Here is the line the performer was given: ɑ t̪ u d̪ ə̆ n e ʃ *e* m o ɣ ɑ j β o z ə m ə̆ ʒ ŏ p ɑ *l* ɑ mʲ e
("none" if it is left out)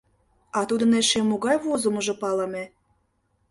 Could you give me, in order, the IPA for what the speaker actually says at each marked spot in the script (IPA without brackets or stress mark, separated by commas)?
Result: e, l